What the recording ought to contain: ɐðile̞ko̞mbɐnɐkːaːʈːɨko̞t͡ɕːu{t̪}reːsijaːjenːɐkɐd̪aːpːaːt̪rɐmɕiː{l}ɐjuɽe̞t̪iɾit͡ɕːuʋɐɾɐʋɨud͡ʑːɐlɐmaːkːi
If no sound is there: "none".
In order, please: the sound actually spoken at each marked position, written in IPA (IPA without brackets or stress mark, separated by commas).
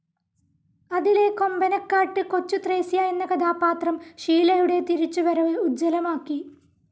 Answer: t̪, l